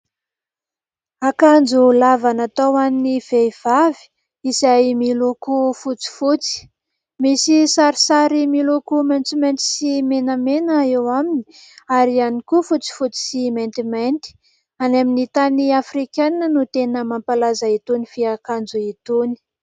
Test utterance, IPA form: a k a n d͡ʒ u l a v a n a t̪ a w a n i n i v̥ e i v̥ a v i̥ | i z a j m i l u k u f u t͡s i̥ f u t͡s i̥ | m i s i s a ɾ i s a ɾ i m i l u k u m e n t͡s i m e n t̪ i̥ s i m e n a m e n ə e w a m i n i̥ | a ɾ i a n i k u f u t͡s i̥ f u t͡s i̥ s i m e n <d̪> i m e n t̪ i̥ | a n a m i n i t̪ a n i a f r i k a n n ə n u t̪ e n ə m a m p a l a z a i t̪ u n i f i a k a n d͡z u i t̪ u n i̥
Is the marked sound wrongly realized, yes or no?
yes